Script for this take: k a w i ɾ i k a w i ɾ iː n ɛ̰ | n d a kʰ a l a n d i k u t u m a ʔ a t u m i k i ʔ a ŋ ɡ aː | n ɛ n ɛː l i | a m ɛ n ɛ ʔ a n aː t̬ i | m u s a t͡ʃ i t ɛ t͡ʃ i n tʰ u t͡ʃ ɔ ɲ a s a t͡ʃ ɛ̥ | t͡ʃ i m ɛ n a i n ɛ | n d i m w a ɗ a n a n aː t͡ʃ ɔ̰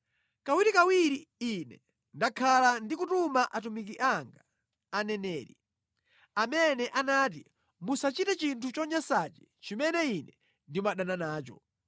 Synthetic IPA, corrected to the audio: k a w i ɾ i k a w i ɾ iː n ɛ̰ | n d a kʰ a l a n d i k u t u m a ʔ a t u m i k i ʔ a ŋ ɡ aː | n ɛ n ɛː ɾ i | a m ɛ n ɛ ʔ a n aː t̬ i | m u s a t͡ʃ i t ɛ t͡ʃ i n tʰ u t͡ʃ ɔ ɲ a s a t͡ʃ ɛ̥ | t͡ʃ i m ɛ n ɛ i n ɛ | n d i m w a ɗ a n a n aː t͡ʃ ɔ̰